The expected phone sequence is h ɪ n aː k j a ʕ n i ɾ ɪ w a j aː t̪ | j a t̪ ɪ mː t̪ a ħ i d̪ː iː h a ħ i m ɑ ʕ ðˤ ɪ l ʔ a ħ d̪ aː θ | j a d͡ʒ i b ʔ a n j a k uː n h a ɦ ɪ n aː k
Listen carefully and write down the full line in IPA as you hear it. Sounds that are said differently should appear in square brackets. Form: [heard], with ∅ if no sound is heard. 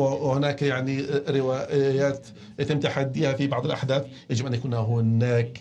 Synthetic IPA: h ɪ n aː k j a ʕ n i ɾ ɪ w a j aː t̪ | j a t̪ ɪ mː t̪ a ħ [a] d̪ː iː h a [f] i [b] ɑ ʕ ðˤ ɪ l ʔ a ħ d̪ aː θ | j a d͡ʒ [ɪ] b ʔ a n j a k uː n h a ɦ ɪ n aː k